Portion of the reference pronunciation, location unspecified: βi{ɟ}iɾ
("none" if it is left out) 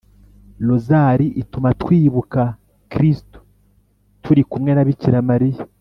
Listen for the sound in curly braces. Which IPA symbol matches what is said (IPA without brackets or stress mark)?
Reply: c